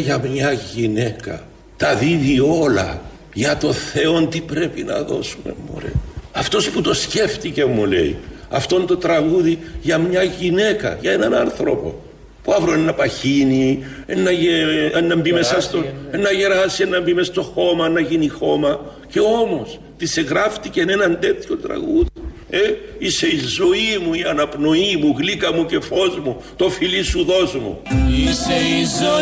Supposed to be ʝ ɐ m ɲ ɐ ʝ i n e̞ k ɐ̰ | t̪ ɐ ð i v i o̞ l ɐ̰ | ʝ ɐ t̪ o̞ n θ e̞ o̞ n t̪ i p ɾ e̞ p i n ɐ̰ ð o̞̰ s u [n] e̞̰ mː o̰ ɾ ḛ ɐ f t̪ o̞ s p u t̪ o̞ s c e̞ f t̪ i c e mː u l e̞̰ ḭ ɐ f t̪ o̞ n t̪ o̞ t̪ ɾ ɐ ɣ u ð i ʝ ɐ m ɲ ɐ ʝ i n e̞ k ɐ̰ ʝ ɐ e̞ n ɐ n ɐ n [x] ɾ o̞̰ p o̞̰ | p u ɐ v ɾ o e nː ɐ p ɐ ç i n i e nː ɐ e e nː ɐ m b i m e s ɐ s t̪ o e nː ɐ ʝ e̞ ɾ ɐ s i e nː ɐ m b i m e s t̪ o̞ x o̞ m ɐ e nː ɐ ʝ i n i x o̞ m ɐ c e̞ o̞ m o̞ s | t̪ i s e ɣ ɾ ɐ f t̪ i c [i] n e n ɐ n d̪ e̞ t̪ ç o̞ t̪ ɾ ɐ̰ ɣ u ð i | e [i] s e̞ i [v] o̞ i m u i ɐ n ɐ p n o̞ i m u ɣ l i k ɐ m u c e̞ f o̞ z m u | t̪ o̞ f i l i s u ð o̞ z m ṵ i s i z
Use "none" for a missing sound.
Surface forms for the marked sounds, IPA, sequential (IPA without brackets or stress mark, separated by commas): m, θ, e, i, z